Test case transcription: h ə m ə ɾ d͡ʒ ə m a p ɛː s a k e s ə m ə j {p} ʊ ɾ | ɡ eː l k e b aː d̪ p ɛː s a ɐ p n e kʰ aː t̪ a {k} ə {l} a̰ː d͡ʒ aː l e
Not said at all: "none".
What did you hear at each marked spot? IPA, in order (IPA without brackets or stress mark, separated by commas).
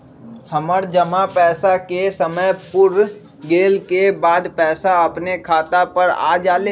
p, p, ɾ